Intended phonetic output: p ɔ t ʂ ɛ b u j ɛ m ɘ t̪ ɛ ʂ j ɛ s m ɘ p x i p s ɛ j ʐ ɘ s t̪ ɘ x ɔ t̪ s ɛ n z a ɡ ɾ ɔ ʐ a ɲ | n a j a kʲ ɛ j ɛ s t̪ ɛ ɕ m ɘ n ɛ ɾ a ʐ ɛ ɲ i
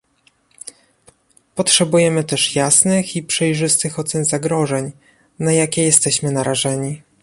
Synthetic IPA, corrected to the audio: p ɔ t ʂ ɛ b u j ɛ m ɘ t̪ ɛ ʂ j a s n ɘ x i p ʂ ɛ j ʐ ɘ s t̪ ɘ x ɔ t̪ s ɛ n z a ɡ ɾ ɔ ʐ ɛ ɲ | n a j a kʲ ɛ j ɛ s t̪ ɛ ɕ m ɘ n a ɾ a ʐ ɛ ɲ i

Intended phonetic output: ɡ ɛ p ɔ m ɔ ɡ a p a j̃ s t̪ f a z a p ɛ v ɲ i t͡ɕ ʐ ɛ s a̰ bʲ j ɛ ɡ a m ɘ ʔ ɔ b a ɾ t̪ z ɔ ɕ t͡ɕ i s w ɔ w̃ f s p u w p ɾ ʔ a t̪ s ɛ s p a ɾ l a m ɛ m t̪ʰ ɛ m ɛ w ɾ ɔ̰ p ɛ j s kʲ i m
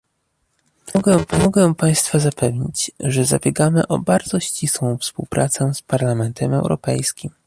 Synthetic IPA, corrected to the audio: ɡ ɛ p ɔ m ɔ ɡ ɛ p a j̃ s t̪ f a z a p ɛ v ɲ i t͡ɕ ʐ ɛ z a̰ bʲ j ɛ ɡ a m ɘ ʔ ɔ b a ɾ d̪ z ɔ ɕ t͡ɕ i s w ɔ̃ w̃ f s p u w p ɾ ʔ a t̪ s ɛ s p a ɾ l a m ɛ n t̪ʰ ɛ m ɛ w ɾ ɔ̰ p ɛ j s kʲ i m

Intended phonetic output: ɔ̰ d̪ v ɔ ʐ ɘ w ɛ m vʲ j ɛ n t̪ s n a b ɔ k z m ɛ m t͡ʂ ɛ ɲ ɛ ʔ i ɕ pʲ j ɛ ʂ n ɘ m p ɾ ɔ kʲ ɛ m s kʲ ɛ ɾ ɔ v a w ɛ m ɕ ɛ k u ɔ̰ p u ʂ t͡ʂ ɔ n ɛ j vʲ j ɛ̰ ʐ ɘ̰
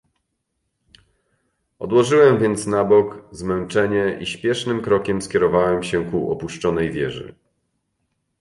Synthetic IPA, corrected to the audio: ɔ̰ d̪ w ɔ ʐ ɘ w ɛ m vʲ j ɛ n t̪ s n a b ɔ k z m ɛ n t͡ʂ ɛ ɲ ɛ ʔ i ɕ pʲ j ɛ ʂ n ɘ m k ɾ ɔ kʲ ɛ m s kʲ ɛ ɾ ɔ v a w ɛ m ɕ ɛ k u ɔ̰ p u ʂ t͡ʂ ɔ n ɛ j vʲ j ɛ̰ ʐ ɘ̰

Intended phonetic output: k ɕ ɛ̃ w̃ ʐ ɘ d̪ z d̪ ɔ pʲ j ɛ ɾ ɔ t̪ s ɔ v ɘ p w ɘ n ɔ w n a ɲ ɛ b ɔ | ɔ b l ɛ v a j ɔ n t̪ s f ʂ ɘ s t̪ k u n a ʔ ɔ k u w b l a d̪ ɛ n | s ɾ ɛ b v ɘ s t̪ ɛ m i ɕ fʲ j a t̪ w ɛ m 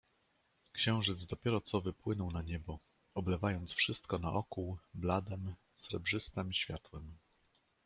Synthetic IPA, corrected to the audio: k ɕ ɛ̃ w̃ ʐ ɘ d̪ z d̪ ɔ pʲ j ɛ ɾ ɔ t̪ s ɔ v ɘ p w ɘ n ɔ w n a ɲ ɛ b ɔ | ɔ b l ɛ v a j ɔ n t̪ s f ʂ ɘ s t̪ k ɔ n a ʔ ɔ k u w b l a d̪ ɛ m | s ɾ ɛ b ʐ ɘ s t̪ ɛ m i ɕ fʲ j a t̪ w ɛ m

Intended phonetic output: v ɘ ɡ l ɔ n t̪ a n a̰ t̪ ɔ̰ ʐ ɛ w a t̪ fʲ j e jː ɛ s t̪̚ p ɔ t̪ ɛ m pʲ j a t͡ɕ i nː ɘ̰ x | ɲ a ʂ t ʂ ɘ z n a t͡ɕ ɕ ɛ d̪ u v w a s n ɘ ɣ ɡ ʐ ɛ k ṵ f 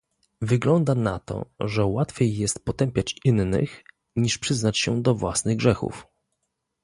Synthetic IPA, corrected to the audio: v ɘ ɡ l ɔ n d̪ a n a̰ t̪ ɔ̰ ʐ ɛ w a t̪ fʲ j e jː ɛ s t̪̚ p ɔ t̪ ɛ m pʲ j a t͡ɕ i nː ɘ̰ x | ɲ i ʂ p ʂ ɘ z n a t͡ɕ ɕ ɛ d̪ ɔ v w a s n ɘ ɣ ɡ ʐ ɛ x ṵ f

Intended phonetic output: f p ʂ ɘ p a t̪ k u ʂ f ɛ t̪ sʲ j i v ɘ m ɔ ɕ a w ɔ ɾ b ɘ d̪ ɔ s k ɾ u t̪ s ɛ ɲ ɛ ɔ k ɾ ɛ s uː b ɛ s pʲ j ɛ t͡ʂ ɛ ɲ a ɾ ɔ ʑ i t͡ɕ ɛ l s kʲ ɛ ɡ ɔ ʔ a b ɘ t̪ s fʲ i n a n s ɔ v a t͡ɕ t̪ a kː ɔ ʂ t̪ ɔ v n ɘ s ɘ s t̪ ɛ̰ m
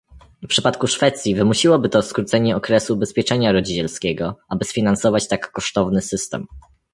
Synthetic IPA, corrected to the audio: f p ʂ ɘ p a t̪ k u ʂ f ɛ t̪ sʲ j i v ɘ m u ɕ i w ɔ b ɘ t̪ ɔ s k ɾ u t̪ s ɛ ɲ ɛ ɔ k ɾ ɛ s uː b ɛ s pʲ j ɛ t͡ʂ ɛ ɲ a ɾ ɔ d͡ʑ i t͡ɕ ɛ l s kʲ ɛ ɡ ɔ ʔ a b ɘ s fʲ i n a n s ɔ v a t͡ɕ t̪ a kː ɔ ʂ t̪ ɔ v n ɘ s ɘ s t̪ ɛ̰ m

